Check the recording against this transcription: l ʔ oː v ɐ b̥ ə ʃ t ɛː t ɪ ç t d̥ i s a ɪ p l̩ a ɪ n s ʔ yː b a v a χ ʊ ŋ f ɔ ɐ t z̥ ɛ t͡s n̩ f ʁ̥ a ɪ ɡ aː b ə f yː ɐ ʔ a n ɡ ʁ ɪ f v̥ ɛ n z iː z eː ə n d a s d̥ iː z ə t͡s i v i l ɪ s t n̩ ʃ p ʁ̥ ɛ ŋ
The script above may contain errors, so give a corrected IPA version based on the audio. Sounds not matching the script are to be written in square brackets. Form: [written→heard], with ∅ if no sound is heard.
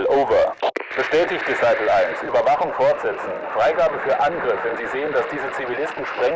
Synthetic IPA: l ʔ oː v ɐ b̥ ə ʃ t ɛː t ɪ ç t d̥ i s a ɪ p l̩ a ɪ n s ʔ yː b [a→ɐ] v a χ ʊ ŋ f ɔ ɐ t z̥ ɛ t͡s n̩ f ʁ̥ a ɪ ɡ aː b ə f yː ɐ ʔ a n ɡ ʁ ɪ f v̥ ɛ n z iː z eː ə n d a s d̥ iː z ə t͡s i v i l ɪ s t n̩ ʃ p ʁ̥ ɛ ŋ